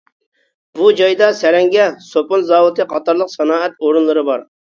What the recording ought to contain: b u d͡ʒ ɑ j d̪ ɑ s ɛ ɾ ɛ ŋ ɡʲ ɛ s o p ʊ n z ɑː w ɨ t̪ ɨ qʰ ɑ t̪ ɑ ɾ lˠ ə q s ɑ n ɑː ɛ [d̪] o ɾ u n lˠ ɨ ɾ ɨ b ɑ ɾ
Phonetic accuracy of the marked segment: incorrect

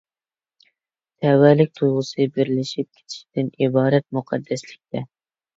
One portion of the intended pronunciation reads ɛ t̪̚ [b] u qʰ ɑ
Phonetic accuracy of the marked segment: incorrect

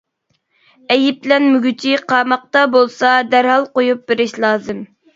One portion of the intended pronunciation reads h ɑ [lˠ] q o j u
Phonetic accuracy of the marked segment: correct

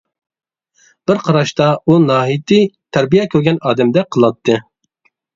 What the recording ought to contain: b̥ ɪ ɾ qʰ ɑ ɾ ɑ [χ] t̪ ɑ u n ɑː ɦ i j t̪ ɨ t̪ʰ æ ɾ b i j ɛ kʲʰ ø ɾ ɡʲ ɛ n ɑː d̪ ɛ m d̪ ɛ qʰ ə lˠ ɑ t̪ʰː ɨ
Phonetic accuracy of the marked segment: incorrect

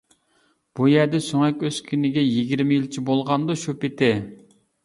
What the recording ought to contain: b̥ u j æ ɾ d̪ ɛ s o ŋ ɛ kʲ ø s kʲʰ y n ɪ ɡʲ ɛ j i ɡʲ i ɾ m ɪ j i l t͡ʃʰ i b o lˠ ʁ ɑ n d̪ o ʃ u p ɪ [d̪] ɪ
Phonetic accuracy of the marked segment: incorrect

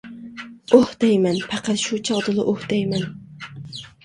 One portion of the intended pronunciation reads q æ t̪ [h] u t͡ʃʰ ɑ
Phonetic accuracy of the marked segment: incorrect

